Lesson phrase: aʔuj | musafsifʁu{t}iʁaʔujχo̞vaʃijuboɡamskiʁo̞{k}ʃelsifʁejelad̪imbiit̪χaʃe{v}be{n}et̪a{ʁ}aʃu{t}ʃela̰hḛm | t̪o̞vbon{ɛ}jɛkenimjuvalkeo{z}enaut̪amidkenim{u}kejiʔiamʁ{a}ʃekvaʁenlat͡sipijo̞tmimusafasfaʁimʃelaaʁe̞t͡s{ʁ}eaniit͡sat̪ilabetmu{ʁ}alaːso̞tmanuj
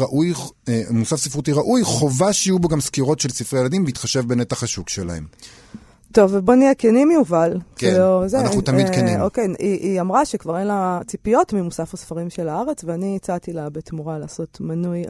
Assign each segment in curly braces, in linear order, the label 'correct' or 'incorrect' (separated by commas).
correct, incorrect, correct, correct, incorrect, incorrect, incorrect, correct, incorrect, correct, incorrect, correct